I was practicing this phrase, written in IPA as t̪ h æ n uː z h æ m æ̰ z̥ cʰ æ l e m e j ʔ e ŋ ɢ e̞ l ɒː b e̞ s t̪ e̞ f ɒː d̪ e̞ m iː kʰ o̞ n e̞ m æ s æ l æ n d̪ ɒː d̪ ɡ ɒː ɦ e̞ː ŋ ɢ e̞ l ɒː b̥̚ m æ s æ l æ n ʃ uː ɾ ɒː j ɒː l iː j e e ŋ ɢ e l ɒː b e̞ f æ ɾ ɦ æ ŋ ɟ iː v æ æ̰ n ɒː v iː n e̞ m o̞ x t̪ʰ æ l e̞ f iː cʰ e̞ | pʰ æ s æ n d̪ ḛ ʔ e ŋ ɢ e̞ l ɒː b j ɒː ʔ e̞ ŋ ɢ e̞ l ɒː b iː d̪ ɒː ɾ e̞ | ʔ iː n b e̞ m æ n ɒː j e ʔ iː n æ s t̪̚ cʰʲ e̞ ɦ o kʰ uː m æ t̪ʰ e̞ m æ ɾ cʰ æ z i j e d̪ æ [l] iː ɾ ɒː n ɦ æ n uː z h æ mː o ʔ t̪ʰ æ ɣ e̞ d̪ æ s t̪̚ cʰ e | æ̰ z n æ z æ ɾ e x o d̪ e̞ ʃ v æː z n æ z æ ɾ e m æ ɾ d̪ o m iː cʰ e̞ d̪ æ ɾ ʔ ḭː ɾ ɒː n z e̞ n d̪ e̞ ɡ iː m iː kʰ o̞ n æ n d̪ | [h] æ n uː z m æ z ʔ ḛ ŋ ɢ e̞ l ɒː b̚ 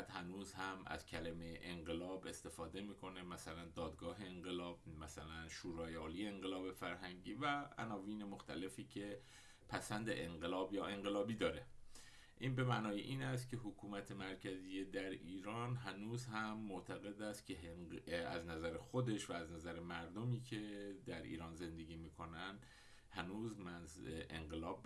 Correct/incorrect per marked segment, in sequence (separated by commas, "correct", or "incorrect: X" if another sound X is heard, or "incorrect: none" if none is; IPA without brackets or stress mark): incorrect: ɾ, correct